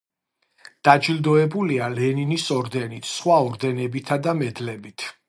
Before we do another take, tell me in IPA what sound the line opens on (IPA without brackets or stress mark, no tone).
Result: d̪̥